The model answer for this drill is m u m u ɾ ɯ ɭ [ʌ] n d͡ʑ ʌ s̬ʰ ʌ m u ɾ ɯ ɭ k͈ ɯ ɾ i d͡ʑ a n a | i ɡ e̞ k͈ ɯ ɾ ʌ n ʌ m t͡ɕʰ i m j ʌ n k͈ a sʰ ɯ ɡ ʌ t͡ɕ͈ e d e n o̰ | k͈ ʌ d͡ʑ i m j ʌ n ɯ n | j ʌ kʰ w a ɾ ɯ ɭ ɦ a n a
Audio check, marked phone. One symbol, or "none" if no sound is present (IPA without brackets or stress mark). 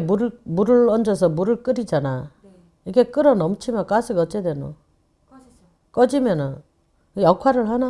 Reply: ʌ